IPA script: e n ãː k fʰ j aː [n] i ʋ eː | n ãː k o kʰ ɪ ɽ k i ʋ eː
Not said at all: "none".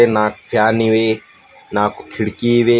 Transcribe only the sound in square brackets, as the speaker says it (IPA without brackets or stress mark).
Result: n